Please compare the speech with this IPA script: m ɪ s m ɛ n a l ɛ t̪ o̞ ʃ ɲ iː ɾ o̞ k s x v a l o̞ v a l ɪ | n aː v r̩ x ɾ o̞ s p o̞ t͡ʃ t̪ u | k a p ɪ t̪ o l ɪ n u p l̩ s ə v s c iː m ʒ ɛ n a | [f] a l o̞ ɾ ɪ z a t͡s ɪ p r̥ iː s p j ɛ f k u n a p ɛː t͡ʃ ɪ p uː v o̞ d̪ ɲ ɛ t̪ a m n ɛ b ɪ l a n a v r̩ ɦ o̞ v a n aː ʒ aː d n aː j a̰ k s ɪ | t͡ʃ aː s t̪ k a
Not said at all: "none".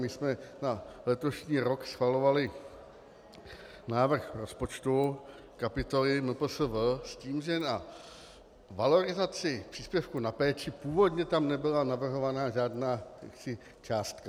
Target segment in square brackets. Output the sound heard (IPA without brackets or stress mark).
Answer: v